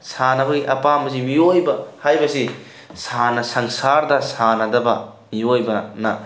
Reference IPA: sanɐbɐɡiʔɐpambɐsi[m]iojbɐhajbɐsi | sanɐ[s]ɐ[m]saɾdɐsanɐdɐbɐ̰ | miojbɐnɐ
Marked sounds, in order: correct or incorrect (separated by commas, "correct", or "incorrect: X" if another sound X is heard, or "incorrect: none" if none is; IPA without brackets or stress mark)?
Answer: correct, correct, incorrect: ŋ